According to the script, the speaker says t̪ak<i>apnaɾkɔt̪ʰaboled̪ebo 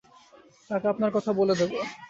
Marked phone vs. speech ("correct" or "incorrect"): incorrect